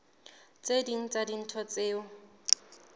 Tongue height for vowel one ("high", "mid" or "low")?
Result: mid